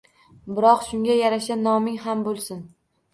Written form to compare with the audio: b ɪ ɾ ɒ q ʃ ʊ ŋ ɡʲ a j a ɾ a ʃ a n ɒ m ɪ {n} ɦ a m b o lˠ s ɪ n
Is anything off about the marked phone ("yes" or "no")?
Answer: yes